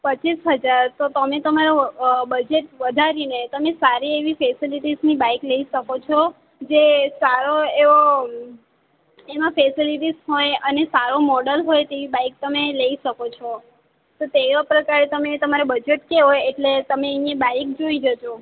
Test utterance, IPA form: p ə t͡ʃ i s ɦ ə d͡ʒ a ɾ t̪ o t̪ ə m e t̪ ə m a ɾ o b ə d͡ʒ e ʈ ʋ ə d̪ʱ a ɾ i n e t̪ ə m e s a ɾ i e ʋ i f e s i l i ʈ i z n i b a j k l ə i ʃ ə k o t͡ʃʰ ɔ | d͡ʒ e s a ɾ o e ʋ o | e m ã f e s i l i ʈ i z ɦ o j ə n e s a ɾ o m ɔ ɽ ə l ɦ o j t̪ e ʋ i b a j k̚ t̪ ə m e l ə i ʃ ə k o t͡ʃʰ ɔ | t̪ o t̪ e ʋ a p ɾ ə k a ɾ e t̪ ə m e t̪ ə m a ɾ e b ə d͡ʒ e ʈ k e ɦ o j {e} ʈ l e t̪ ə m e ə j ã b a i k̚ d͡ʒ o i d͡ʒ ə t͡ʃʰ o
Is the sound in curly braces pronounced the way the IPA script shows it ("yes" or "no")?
yes